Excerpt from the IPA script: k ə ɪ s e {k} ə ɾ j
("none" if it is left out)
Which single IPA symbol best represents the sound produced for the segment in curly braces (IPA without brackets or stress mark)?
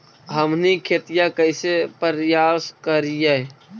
p